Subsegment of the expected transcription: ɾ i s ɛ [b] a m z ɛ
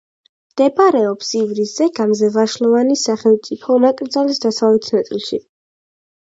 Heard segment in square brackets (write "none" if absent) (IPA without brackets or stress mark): ɡ